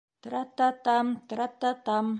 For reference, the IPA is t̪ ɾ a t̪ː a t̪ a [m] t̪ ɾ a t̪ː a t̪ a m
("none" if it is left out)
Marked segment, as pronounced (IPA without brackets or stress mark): m